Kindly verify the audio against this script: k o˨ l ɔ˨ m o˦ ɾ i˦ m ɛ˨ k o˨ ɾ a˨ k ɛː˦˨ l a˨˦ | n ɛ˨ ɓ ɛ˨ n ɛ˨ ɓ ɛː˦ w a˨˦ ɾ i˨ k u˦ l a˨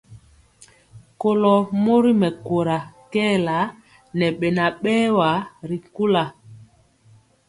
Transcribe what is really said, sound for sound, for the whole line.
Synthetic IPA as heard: k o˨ l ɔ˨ m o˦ ɾ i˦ m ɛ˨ k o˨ ɾ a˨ k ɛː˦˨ l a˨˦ | n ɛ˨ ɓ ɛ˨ n a˨ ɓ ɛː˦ w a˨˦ ɾ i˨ k u˦ l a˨